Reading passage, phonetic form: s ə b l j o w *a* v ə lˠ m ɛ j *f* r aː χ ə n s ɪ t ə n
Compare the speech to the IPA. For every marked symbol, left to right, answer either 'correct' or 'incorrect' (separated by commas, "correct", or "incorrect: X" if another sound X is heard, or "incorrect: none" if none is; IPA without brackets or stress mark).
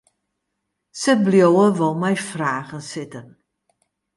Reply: incorrect: ə, correct